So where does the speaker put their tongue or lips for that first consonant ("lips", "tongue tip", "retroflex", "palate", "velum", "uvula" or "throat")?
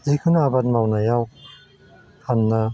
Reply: tongue tip